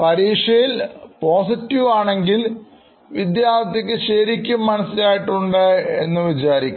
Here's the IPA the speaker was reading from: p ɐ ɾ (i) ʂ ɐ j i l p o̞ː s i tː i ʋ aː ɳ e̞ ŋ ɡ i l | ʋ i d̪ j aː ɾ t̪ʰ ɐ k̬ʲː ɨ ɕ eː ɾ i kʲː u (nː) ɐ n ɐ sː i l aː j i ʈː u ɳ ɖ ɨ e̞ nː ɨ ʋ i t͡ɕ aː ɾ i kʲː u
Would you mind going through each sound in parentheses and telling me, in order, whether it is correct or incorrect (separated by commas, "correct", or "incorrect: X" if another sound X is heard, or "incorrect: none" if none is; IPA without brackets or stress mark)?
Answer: incorrect: iː, incorrect: mː